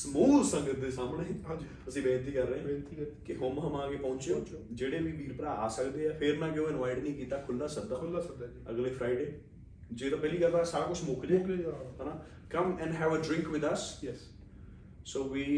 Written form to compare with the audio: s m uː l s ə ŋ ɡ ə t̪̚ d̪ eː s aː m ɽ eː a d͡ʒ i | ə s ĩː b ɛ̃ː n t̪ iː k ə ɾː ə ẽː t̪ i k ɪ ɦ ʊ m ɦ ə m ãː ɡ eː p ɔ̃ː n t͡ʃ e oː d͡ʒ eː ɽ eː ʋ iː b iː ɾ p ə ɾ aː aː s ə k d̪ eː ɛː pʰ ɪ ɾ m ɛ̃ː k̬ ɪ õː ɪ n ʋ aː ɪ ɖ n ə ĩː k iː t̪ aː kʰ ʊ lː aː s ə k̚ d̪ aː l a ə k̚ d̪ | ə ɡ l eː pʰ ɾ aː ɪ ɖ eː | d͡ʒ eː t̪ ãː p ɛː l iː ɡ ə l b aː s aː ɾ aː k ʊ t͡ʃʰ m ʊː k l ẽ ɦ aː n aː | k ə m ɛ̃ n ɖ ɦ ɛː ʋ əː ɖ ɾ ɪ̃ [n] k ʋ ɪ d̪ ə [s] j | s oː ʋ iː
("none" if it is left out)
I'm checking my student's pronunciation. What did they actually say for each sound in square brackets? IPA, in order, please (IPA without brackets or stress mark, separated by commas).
ŋ, s